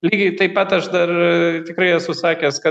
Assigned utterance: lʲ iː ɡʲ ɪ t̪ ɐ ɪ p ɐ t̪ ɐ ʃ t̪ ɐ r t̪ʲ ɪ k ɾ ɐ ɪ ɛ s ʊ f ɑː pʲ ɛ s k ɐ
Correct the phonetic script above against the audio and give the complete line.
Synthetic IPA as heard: lʲ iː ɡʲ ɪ t̪ ɐ ɪ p ɐ t̪ ɐ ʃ d̪ ɐ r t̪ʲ ɪ k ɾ ɐ ɪ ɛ s ʊ s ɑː kʲ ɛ s k ɐ